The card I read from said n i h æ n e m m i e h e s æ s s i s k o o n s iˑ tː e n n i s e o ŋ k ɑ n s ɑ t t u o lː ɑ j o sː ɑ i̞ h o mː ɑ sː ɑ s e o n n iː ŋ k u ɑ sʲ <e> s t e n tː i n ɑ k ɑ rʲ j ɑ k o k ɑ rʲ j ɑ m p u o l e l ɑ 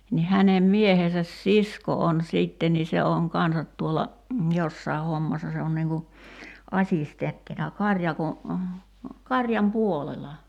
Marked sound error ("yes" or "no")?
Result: yes